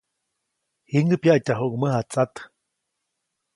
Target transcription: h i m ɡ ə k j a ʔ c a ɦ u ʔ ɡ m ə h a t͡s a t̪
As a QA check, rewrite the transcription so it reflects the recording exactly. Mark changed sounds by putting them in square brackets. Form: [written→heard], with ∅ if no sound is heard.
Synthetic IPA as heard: h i [m→ŋ] ɡ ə [k→p] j a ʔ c a ɦ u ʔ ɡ m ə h a t͡s a t̪